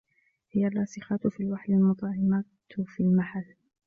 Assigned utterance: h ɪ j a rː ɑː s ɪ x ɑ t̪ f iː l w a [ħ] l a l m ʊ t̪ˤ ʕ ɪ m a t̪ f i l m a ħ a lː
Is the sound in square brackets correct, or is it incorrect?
correct